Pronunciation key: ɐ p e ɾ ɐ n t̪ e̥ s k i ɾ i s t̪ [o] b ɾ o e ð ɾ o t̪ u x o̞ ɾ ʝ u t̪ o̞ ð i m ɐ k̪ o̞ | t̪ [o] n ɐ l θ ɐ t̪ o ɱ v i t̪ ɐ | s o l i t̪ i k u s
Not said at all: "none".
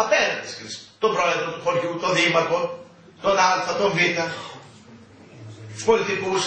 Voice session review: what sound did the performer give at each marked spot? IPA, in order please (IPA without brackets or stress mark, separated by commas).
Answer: o, o